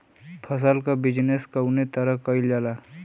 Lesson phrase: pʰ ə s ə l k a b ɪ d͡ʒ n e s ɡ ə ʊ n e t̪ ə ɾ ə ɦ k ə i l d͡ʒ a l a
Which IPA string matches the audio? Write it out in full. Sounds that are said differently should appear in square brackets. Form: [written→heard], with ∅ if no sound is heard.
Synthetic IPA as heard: pʰ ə s ə l k a b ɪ d͡ʒ n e s [ɡ→k] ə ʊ n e t̪ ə ɾ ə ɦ k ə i l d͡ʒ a l a